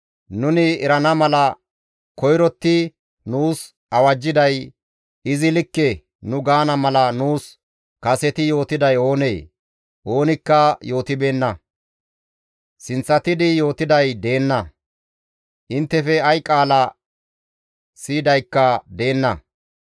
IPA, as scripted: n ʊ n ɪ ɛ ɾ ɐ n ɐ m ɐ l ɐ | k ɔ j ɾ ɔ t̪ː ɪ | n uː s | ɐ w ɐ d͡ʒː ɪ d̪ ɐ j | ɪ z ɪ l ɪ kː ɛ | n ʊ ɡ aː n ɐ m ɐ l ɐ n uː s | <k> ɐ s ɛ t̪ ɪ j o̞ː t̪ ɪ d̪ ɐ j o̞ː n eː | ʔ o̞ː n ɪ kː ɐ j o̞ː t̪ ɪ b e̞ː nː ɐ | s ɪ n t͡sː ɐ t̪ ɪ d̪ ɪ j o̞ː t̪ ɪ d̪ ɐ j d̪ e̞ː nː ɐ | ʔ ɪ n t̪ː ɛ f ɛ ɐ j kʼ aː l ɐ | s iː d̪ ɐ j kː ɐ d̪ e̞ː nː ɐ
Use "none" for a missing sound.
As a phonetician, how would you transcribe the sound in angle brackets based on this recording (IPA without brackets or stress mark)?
k